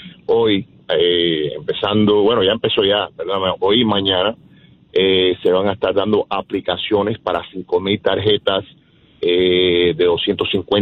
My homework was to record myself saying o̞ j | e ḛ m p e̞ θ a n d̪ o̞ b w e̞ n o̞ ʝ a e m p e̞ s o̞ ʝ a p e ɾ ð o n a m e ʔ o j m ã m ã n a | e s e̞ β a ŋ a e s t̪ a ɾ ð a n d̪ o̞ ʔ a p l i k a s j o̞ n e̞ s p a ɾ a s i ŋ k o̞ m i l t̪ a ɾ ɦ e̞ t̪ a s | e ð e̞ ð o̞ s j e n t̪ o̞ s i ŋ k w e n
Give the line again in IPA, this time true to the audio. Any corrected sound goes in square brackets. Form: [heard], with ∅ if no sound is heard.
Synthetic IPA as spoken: o̞ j | e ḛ m p e̞ [s] a n d̪ o̞ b w e̞ n o̞ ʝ a e m p e̞ s o̞ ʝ a p e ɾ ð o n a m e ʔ o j m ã [ɲ] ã n a | e s e̞ β a ŋ a e s t̪ a ɾ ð a n d̪ o̞ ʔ a p l i k a s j o̞ n e̞ s p a ɾ a s i ŋ k o̞ m i l t̪ a ɾ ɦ e̞ t̪ a s | e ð e̞ ð o̞ s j e n t̪ o̞ s i ŋ k w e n